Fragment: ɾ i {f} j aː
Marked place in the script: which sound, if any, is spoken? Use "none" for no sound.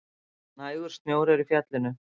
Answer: f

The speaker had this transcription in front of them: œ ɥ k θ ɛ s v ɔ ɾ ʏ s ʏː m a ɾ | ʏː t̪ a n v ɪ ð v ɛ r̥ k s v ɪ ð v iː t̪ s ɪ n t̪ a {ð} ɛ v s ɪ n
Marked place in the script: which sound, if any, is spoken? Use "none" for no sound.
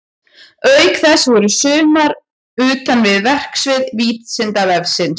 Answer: v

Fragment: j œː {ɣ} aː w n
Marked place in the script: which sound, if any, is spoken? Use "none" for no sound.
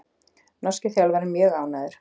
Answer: ɣ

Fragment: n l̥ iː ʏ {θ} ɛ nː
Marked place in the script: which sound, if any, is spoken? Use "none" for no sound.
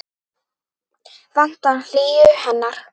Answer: h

